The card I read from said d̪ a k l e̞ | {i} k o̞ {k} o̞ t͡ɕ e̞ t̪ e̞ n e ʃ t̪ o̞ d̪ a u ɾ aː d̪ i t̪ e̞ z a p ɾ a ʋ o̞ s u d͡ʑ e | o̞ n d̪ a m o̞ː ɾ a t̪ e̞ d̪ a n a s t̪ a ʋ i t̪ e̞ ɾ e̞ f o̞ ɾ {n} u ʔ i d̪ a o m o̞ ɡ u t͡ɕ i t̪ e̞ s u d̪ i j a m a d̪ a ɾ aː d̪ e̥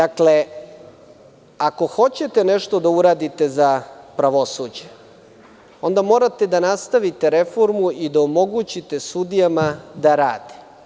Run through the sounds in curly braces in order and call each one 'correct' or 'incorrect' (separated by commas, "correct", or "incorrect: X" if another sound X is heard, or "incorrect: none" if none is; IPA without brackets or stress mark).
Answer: incorrect: a, incorrect: x, incorrect: m